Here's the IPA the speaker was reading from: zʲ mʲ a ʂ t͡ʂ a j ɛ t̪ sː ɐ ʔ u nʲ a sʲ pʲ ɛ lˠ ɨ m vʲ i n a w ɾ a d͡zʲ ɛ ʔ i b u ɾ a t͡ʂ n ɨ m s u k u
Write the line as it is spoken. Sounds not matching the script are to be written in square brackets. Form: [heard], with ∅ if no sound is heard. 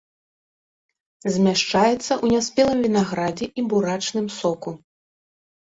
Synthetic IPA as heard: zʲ mʲ a ʂ t͡ʂ a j ɛ t̪ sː ɐ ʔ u nʲ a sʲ pʲ ɛ lˠ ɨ m vʲ i n a [ɣ] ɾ a d͡zʲ ɛ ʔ i b u ɾ a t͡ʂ n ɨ m s [ɔ] k u